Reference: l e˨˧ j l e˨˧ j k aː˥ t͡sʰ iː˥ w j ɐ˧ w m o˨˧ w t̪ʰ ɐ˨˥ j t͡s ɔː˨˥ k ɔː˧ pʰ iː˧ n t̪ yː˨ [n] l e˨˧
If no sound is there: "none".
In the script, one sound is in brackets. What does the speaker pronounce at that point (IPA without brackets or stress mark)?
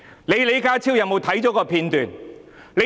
n